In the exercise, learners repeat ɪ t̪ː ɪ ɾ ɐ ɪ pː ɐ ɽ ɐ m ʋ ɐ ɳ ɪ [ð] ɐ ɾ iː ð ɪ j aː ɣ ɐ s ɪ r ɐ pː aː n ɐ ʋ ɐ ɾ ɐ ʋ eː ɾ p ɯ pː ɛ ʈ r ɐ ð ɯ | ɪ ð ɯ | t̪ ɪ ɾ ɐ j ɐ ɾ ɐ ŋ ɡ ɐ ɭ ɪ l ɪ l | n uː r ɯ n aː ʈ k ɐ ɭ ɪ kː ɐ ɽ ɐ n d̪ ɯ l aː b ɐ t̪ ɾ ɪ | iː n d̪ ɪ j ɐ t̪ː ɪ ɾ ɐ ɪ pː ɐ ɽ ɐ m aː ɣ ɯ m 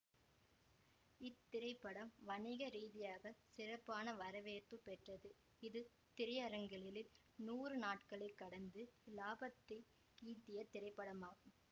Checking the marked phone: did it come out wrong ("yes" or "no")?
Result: yes